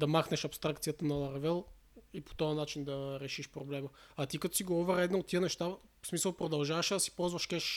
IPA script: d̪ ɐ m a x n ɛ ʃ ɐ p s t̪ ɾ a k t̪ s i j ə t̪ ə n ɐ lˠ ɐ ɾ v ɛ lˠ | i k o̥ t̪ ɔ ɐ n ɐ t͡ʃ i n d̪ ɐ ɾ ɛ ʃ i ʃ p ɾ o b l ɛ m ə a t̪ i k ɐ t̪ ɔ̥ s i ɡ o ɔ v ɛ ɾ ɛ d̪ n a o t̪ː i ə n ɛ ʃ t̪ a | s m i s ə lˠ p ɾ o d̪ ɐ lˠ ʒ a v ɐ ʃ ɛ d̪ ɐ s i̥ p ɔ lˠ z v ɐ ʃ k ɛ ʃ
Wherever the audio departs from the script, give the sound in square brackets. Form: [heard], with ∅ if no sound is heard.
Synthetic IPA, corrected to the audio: d̪ ɐ m a x n ɛ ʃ ɐ p s t̪ ɾ a k t̪ s i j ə t̪ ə n ɐ lˠ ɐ ɾ v ɛ lˠ | i [p] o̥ t̪ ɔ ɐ n [a] t͡ʃ i n d̪ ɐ ɾ ɛ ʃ i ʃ p ɾ o b l ɛ m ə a t̪ i k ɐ t̪ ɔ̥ s i ɡ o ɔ v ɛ ɾ ɛ d̪ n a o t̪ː i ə n ɛ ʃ t̪ a | s m i s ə lˠ p ɾ o d̪ ɐ lˠ ʒ a v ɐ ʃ ɛ d̪ ɐ s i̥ p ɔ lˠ z v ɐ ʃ k ɛ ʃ